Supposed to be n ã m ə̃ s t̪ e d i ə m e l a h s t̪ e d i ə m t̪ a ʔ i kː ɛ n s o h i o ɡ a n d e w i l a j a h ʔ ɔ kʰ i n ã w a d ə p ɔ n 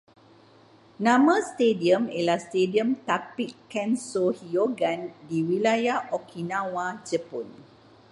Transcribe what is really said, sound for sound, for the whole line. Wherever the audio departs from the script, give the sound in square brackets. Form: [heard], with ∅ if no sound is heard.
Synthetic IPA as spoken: n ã m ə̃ s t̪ e d i ə m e l a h s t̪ e d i ə m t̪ a [p] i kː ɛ n s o h i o ɡ a n d [i] w i l a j a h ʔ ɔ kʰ i n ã w a [d͡ʒ] ə p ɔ n